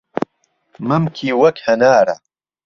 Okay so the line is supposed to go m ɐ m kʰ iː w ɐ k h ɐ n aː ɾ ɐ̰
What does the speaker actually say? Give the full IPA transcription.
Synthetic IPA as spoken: m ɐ m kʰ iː w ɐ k h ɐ n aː ɾ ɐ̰